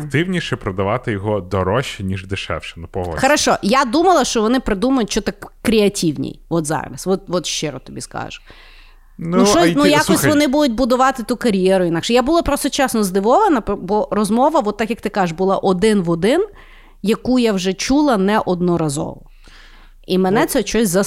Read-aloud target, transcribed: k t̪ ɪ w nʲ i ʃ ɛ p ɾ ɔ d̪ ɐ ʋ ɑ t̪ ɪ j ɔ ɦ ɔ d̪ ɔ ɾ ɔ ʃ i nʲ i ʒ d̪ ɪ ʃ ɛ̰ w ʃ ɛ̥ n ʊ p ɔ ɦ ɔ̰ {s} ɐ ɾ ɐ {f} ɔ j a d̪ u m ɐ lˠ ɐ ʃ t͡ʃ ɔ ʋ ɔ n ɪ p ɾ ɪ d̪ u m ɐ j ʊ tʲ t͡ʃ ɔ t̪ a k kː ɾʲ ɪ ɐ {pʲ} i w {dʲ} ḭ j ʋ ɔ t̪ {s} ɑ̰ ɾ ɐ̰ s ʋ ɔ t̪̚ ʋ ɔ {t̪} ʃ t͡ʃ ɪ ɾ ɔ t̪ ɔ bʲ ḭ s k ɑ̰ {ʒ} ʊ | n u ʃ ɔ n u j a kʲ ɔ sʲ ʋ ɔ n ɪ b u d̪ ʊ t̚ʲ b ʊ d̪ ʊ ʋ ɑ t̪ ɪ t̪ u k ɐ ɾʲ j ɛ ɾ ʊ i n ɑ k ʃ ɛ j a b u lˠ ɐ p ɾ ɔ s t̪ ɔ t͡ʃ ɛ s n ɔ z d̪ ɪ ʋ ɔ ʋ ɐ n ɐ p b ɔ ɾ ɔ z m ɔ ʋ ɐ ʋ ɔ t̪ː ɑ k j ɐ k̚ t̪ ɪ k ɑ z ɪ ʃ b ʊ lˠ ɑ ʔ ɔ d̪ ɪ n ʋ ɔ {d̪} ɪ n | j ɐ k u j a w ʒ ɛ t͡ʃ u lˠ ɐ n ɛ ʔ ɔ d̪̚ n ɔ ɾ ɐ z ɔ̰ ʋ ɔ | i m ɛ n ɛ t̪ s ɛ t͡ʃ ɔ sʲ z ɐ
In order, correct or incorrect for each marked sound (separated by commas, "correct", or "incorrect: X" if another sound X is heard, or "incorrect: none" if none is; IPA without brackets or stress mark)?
incorrect: x, incorrect: ʃ, incorrect: tʲ, incorrect: nʲ, incorrect: z, correct, correct, correct